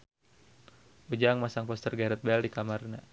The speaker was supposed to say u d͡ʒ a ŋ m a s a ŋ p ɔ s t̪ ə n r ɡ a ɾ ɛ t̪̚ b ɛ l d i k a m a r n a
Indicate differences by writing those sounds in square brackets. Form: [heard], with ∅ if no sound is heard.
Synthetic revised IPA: u d͡ʒ a ŋ m a s a ŋ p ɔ s t̪ ə [∅] r ɡ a ɾ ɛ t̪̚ b ɛ l d i k a m a r n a